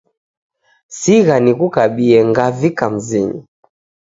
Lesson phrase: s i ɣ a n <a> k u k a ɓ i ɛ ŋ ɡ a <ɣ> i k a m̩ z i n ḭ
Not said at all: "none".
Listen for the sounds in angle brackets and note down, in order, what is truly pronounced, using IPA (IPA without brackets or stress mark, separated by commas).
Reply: i, v